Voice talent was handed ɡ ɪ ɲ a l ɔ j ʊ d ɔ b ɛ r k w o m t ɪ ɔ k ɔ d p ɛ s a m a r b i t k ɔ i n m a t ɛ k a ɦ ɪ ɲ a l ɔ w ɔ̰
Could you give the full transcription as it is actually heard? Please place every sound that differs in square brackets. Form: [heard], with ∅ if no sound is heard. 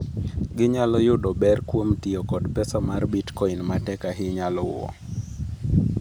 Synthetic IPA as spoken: ɡ ɪ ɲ a l ɔ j ʊ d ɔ b ɛ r k w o m t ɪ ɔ k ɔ d p ɛ s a m a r b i t k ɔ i n m a t ɛ k a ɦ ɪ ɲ a l ɔ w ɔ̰